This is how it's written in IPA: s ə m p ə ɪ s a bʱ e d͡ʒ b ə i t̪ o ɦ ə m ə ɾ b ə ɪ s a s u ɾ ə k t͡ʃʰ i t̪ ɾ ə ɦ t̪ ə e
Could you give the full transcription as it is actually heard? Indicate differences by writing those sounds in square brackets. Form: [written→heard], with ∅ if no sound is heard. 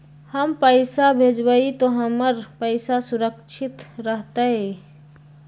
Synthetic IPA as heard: [s→h] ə m p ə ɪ s a bʱ e d͡ʒ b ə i t̪ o ɦ ə m ə ɾ [b→p] ə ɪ s a s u ɾ ə k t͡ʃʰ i t̪ ɾ ə ɦ t̪ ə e